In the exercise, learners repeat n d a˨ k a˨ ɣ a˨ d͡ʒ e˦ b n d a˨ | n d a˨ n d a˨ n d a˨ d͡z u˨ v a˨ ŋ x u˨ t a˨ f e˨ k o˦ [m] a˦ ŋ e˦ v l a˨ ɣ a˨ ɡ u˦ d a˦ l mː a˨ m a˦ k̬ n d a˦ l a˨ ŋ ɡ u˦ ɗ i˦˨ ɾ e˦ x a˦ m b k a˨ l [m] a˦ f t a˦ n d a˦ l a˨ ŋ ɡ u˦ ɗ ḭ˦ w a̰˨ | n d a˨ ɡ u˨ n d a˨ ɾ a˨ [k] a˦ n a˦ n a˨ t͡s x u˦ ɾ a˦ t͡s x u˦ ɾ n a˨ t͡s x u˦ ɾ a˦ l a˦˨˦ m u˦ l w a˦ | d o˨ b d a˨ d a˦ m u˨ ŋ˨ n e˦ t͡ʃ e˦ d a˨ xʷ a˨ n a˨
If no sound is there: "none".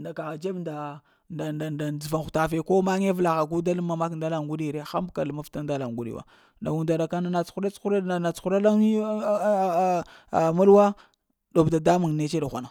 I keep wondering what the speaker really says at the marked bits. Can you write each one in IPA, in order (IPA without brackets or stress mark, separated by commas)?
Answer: m, m, k